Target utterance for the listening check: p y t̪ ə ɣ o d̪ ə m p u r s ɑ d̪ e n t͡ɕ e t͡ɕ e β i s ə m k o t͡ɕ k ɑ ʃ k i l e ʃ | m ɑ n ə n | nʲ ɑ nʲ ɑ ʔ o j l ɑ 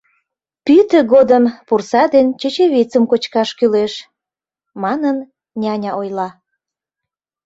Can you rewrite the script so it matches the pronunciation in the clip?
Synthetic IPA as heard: p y t̪ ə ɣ o d̪ ə m p u r s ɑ d̪ e n t͡ɕ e t͡ɕ e β i t͡s ə m k o t͡ɕ k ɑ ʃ k y l e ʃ | m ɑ n ə n | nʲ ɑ nʲ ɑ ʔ o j l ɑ